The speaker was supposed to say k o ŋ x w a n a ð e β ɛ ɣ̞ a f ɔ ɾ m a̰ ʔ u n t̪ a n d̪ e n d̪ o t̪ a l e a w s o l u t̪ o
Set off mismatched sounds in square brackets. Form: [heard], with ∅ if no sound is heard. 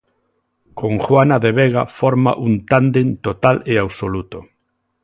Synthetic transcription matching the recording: k o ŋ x w a n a ð e β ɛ ɣ̞ a f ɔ ɾ m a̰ ʔ u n t̪ a n d̪ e n [t̪] o t̪ a l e a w s o l u t̪ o

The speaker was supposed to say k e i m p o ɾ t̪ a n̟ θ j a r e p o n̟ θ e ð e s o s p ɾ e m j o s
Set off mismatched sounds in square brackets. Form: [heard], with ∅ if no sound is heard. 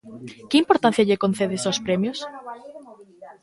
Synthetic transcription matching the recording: k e i m p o ɾ t̪ a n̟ θ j a [ʎ] e [k] o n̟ θ e ð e s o s p ɾ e m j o s

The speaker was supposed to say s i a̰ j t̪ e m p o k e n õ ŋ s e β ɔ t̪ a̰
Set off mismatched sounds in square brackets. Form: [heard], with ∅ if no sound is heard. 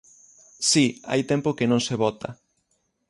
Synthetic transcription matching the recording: s i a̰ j t̪ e m p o k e n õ ŋ s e β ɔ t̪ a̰

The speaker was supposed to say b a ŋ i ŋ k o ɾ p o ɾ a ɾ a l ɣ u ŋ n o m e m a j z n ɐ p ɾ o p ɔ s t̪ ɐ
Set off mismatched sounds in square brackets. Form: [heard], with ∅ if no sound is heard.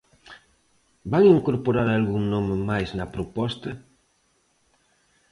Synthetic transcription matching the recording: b a ŋ i ŋ k o ɾ p o ɾ a ɾ a l ɣ u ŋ n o m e m a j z n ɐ p ɾ o p ɔ s t̪ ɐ

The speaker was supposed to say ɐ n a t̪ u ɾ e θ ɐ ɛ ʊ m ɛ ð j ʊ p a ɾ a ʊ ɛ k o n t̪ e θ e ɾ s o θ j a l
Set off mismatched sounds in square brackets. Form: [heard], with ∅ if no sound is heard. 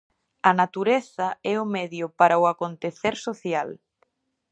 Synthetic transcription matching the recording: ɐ n a t̪ u ɾ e θ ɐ ɛ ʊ m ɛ ð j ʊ p a ɾ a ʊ [a] k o n t̪ e θ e ɾ s o θ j a l

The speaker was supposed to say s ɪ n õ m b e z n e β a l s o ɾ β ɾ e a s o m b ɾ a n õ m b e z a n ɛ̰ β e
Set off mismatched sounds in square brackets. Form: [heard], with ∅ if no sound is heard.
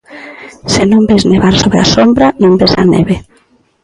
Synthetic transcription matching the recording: s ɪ n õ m b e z n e β a [ɾ] s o [∅] β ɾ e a s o m b ɾ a n õ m b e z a n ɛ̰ β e

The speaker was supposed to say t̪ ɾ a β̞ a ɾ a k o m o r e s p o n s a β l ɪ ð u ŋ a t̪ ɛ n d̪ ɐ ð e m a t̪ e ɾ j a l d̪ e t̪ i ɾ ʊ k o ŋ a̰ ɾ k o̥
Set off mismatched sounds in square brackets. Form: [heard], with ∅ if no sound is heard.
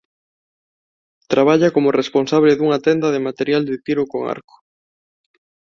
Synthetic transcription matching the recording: t̪ ɾ a β̞ a [ʎ] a k o m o r e s p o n s a β l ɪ ð u ŋ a t̪ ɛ n d̪ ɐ ð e m a t̪ e ɾ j a l d̪ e t̪ i ɾ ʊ k o ŋ a̰ ɾ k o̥

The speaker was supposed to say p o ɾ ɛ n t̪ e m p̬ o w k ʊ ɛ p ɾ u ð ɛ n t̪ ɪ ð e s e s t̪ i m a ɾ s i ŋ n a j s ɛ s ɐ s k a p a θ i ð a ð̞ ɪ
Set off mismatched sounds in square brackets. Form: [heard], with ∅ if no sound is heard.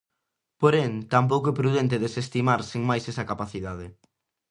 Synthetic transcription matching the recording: p o ɾ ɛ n t̪ [a] m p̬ o w k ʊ ɛ p ɾ u ð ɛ n t̪ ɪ ð e s e s t̪ i m a ɾ s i ŋ [m] a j s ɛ s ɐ [∅] k a p a θ i ð a ð̞ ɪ

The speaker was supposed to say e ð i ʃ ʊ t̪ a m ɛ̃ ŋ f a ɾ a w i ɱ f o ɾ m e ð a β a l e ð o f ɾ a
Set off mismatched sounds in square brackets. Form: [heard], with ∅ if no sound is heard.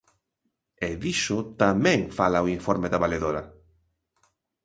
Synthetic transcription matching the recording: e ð i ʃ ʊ t̪ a m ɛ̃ ŋ f a [l] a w i ɱ f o ɾ m e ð a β a l e ð o [∅] ɾ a

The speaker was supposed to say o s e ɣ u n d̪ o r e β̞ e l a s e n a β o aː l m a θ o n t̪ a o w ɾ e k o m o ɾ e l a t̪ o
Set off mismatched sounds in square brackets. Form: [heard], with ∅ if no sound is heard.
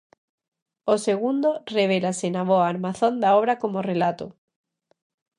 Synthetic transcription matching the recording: o s e ɣ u n d̪ o r e β̞ e l a s e n a β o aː [ɾ] m a θ o n [d̪] a o [β] ɾ [a] k o m o [r] e l a t̪ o

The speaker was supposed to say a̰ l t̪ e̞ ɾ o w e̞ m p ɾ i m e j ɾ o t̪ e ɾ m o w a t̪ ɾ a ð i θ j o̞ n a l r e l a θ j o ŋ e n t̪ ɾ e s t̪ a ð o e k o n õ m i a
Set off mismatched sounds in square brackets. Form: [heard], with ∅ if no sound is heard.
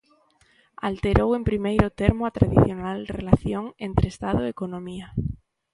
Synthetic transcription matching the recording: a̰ l t̪ e̞ ɾ o w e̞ m p ɾ i m e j ɾ o t̪ e ɾ m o [∅] a t̪ ɾ a ð i θ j o̞ n a l r e l a θ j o ŋ e n t̪ ɾ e s t̪ a ð o e k o n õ m i a

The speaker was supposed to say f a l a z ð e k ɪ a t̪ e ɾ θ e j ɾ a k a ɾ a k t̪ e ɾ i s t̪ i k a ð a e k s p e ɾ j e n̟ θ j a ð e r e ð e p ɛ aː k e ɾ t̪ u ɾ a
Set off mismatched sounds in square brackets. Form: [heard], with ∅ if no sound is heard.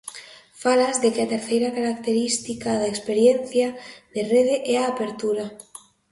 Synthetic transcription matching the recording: f a l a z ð e k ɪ a t̪ e ɾ θ e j ɾ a k a ɾ a k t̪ e ɾ i s t̪ i k a ð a e k s p e ɾ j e n̟ θ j a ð e r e ð e [ʔ] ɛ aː [p] e ɾ t̪ u ɾ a

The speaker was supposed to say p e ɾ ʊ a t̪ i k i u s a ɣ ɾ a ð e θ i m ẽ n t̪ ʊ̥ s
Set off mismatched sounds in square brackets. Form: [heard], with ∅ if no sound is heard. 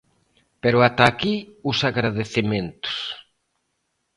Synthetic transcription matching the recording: p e ɾ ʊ a t̪ [a] k i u s a ɣ ɾ a ð e θ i m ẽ n t̪ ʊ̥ s

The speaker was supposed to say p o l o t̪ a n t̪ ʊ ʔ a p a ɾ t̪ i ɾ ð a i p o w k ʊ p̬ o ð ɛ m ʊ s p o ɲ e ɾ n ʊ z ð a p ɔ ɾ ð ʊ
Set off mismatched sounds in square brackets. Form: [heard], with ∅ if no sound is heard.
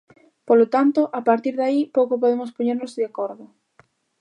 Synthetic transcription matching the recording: p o l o t̪ a n t̪ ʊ ʔ a p a ɾ t̪ i ɾ ð a i p o w k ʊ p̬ o ð [e] m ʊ s p o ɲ e ɾ n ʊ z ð a [k] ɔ ɾ ð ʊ

